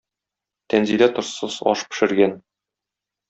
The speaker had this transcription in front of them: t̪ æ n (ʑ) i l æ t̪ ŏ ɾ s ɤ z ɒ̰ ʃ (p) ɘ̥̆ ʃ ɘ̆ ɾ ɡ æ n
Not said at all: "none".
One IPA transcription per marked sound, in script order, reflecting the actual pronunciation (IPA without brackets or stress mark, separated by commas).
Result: z, p